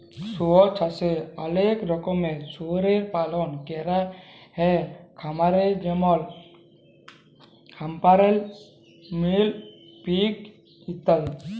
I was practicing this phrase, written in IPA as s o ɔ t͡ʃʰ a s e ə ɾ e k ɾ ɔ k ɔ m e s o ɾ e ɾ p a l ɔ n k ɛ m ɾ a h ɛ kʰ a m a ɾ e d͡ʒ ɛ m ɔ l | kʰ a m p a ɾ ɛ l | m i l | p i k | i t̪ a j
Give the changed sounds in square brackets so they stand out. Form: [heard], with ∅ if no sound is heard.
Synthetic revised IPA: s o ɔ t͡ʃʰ a s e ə [l] e k ɾ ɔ k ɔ m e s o ɾ e ɾ p a l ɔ n k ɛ [∅] ɾ a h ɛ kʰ a m a ɾ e d͡ʒ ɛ m ɔ l | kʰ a m p a ɾ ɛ l | m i l | p i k | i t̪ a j